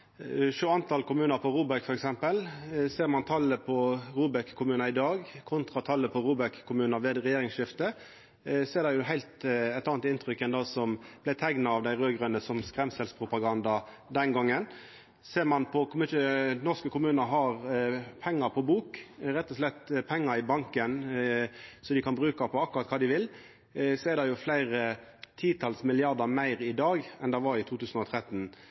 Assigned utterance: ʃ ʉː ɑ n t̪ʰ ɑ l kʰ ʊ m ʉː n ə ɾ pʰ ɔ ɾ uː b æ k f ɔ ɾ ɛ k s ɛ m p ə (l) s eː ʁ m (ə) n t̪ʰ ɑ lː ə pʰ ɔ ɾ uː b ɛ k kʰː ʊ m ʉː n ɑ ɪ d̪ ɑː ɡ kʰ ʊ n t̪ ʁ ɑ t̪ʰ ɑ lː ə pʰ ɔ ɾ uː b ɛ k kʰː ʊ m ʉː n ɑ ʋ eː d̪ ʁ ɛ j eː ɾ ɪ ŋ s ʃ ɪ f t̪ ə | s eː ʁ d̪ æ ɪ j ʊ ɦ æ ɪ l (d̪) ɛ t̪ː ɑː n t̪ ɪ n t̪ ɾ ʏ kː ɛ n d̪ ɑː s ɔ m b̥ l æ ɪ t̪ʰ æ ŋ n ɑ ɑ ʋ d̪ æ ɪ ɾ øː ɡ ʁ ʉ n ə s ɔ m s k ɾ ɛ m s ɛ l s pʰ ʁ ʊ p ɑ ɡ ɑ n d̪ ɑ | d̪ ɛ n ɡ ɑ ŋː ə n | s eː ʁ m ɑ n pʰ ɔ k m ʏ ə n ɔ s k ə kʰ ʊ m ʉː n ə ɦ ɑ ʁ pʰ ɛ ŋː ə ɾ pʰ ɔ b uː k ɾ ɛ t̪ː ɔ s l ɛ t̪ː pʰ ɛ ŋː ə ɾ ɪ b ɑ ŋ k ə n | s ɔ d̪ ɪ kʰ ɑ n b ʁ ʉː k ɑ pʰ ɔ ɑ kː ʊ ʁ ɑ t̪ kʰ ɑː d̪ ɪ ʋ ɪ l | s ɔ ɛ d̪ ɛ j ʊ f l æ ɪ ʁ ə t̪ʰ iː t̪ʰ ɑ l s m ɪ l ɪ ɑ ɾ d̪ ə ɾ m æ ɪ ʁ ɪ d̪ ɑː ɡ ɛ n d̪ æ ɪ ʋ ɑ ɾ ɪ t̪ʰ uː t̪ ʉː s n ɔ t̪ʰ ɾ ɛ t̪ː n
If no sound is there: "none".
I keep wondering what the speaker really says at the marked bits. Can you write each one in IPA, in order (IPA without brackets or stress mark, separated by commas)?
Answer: l, ɑ, t̪